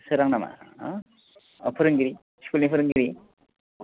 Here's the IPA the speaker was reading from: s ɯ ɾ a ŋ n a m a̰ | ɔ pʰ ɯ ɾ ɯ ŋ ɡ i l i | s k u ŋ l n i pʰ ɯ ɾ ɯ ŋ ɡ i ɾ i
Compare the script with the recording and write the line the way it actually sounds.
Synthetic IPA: s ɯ ɾ a ŋ n a m a̰ | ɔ pʰ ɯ ɾ ɯ ŋ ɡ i ɾ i | s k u l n i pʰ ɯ ɾ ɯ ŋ ɡ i ɾ i